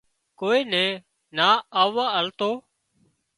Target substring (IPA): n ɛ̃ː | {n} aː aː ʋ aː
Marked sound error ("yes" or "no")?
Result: no